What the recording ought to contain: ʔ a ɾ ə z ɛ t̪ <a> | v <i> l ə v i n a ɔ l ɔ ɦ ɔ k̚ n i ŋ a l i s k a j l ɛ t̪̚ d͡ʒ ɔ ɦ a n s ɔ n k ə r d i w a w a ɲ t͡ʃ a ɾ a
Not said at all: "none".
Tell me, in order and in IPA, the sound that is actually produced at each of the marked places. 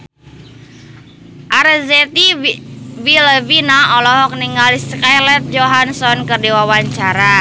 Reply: i, i

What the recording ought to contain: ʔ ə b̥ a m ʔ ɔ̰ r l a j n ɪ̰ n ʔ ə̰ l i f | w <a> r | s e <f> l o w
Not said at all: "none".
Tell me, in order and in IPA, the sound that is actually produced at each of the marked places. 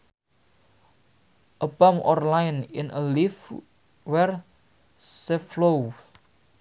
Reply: ɛ, f

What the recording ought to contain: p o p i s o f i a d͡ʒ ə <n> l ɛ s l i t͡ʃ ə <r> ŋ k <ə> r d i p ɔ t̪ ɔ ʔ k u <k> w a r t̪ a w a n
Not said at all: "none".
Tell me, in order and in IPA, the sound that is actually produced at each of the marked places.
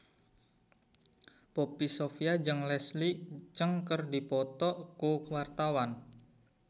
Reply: ŋ, none, ə, k

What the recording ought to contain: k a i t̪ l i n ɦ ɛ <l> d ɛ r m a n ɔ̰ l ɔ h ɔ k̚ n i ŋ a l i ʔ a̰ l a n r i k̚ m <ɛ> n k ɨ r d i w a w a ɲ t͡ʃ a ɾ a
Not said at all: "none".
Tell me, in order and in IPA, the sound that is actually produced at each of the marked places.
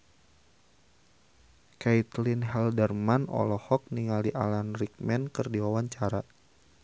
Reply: l, ɛ

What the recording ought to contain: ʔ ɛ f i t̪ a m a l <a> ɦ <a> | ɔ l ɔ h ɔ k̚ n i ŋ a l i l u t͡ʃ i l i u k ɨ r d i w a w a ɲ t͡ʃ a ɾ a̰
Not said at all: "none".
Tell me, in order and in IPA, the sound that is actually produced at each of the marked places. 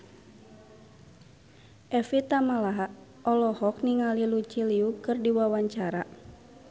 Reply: a, a

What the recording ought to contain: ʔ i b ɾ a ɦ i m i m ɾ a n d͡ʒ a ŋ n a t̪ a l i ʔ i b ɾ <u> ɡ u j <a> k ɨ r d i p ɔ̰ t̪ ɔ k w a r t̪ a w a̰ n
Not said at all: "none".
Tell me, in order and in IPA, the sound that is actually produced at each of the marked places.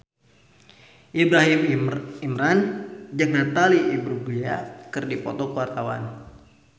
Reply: u, a

